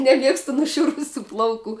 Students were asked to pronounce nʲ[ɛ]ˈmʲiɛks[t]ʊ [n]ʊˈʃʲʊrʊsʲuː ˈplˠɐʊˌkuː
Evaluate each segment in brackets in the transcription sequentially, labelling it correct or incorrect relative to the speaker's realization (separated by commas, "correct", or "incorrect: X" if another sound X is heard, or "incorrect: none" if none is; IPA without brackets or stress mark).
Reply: correct, correct, correct